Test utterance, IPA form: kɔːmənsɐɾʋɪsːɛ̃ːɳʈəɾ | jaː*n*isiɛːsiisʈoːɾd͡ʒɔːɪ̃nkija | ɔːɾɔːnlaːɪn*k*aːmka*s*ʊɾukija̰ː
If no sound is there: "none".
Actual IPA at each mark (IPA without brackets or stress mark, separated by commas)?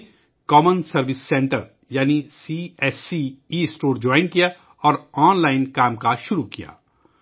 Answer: n, k, ʃ